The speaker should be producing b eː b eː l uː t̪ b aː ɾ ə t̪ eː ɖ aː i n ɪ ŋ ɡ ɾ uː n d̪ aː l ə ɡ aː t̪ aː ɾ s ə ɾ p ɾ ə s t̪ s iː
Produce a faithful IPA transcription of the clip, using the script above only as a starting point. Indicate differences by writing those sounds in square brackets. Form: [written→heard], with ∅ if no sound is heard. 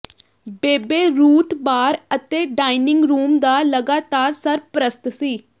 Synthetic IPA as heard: b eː b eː [l→ɾ] uː t̪ b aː ɾ ə t̪ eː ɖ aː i n ɪ ŋ ɡ ɾ uː [n→m] d̪ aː l ə ɡ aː t̪ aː ɾ s ə ɾ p ɾ ə s t̪ s iː